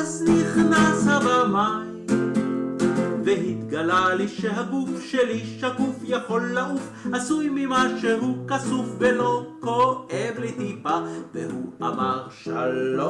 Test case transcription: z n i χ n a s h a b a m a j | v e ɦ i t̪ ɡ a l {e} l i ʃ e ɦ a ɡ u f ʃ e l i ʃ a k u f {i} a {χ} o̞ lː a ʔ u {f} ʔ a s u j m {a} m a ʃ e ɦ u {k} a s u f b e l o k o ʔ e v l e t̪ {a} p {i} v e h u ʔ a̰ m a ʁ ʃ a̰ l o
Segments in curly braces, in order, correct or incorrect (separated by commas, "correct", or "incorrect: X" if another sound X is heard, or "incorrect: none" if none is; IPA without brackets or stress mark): incorrect: a, incorrect: j, incorrect: ħ, correct, incorrect: i, correct, incorrect: i, incorrect: a